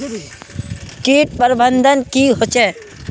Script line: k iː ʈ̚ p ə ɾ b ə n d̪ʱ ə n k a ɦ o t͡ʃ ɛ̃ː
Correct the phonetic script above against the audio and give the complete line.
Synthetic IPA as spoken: k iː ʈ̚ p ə ɾ b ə n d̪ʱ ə n k i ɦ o t͡ʃ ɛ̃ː